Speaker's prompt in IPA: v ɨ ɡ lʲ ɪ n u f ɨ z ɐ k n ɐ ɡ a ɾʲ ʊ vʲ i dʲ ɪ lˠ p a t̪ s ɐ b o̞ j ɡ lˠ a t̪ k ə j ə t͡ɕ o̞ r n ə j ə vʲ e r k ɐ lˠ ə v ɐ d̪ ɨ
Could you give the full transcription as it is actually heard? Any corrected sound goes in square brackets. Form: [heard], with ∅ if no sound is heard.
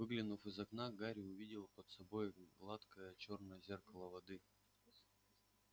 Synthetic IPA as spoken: v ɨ ɡ lʲ ɪ n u f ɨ z ɐ k n [a] ɡ a ɾʲ ʊ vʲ i dʲ ɪ lˠ p [ə] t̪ s ɐ b o̞ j ɡ lˠ a t̪ k ə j ə t͡ɕ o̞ r n ə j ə [zʲ] e r k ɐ lˠ ə v ɐ d̪ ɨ